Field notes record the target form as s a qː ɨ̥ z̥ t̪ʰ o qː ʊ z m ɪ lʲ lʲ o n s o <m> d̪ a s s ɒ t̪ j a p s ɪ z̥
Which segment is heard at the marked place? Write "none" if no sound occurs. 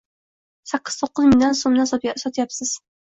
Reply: m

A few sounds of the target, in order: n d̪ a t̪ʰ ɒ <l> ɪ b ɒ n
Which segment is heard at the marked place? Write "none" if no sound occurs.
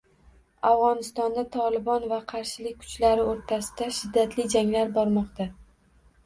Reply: l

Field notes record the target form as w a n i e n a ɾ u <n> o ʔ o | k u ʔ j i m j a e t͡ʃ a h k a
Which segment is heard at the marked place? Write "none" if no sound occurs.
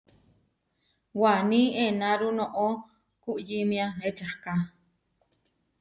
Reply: n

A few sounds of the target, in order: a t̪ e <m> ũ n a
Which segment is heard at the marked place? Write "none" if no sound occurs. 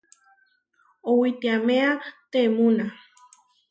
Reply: m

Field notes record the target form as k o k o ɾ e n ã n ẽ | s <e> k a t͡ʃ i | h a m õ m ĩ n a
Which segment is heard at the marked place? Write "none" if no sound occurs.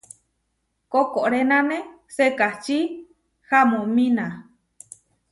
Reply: e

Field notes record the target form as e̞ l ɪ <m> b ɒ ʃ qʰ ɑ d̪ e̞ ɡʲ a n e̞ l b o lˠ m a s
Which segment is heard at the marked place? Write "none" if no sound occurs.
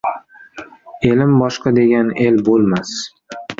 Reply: m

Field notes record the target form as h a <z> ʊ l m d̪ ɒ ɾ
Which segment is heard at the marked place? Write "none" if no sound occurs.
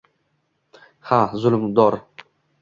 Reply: z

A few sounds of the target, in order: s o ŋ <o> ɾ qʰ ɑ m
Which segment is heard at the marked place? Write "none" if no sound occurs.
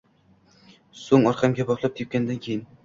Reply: ɒ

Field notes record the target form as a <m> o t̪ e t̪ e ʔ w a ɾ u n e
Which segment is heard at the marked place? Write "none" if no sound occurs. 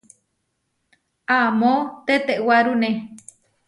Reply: m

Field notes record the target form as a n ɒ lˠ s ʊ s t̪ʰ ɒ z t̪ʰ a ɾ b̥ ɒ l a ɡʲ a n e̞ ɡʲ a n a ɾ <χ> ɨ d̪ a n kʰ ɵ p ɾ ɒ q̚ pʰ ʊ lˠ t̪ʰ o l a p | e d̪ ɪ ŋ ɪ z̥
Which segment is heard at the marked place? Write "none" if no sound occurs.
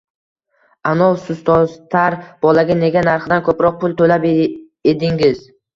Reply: χ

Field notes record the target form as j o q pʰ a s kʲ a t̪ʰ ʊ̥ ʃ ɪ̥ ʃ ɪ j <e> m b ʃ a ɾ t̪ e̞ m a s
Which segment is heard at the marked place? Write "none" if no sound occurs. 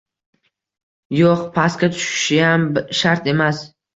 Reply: a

